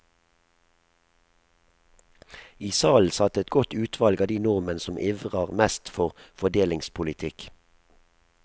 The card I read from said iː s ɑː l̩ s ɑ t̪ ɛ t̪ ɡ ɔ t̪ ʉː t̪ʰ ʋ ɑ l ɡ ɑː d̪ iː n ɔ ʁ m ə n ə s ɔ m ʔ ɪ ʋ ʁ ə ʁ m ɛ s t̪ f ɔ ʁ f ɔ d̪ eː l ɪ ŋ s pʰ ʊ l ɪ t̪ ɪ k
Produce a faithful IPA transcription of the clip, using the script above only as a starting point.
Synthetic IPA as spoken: iː s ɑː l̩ s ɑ t̪ ɛ t̪ ɡ ɔ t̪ ʉː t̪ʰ ʋ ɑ l ɡ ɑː d̪ iː n ɔ ʁ m ə n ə s ɔ m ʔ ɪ ʋ ʁ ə ʁ m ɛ s t̪ f ɔ ʁ f ɔ d̪ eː l ɪ ŋ s pʰ ʊ l ɪ t̪ʰ ɪ k